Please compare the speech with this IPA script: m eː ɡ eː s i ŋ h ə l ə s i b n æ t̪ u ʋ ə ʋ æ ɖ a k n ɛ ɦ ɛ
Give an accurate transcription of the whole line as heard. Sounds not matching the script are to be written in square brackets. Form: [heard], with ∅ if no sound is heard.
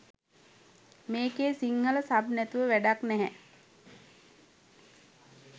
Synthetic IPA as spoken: m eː [k] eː s i ŋ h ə l ə s [a] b n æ t̪ u ʋ ə ʋ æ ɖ a k n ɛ ɦ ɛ